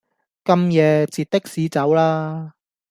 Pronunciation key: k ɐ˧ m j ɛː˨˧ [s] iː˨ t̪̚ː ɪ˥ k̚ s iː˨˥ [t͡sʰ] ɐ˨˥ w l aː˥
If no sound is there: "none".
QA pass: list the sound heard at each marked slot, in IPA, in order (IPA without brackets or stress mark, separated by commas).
t͡s, t͡s